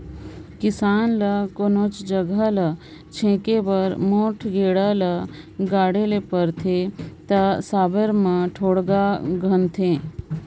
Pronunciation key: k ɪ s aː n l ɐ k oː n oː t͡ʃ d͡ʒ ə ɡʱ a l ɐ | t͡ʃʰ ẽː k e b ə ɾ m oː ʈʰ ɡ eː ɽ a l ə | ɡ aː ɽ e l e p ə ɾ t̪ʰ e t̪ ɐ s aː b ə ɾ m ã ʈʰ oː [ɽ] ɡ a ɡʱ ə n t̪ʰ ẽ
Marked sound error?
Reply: no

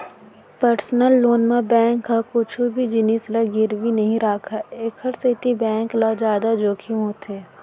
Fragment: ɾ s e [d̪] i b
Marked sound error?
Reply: yes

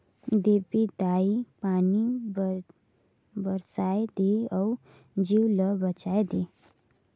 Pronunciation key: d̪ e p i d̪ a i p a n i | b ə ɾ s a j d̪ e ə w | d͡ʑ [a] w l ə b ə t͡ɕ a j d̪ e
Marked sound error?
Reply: yes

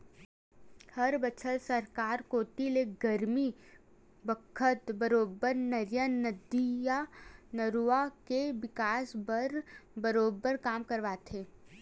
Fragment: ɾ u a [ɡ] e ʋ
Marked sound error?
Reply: yes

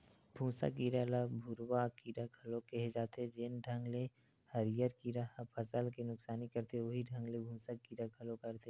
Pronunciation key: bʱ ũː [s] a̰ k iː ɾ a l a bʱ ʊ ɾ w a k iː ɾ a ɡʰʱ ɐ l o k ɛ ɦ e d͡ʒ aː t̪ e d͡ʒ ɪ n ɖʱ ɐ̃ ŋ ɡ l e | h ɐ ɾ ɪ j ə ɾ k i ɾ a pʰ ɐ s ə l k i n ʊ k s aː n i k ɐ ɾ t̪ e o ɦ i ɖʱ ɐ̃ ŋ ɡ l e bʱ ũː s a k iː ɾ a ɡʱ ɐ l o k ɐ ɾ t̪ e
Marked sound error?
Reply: no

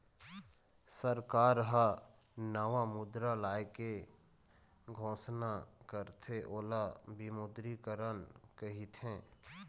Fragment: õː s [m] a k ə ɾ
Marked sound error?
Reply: yes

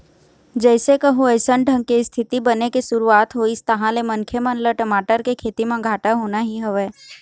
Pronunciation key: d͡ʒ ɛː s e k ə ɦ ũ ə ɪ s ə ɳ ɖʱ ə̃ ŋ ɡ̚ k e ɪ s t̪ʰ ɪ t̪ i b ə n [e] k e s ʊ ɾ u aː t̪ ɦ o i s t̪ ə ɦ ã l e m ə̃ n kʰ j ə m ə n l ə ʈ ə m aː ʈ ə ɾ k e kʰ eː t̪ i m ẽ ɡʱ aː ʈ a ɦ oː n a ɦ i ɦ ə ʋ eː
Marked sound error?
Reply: no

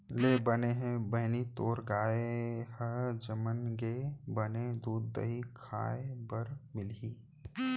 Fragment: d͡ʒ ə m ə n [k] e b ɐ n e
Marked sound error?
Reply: yes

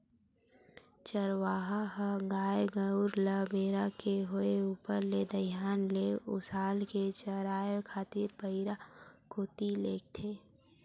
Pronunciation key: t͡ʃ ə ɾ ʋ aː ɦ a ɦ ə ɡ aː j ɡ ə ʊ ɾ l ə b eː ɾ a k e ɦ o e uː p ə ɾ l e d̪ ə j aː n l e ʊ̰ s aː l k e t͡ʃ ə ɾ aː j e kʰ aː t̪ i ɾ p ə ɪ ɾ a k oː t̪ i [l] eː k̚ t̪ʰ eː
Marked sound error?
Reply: no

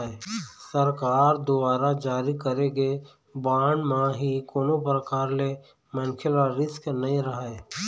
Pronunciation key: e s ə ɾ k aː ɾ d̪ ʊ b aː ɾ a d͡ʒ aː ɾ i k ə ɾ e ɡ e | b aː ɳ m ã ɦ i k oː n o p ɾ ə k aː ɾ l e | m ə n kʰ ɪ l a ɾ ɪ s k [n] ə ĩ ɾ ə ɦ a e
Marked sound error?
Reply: no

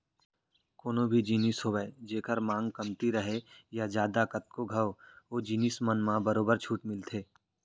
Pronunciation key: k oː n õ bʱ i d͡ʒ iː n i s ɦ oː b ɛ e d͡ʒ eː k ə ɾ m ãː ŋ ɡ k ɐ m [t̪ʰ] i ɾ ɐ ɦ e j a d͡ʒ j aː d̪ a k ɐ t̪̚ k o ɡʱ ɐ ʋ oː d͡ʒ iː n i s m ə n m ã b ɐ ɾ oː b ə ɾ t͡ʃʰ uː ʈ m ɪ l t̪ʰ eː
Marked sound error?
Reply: yes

